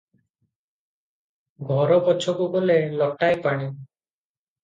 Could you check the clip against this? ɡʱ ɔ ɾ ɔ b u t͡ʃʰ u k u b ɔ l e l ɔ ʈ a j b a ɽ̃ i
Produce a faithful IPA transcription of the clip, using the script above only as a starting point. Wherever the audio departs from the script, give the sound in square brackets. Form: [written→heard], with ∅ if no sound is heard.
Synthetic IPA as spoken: ɡʱ ɔ ɾ ɔ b [u→ɔ] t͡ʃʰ [u→ɔ] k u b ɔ l e l ɔ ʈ a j [b→p] a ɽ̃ i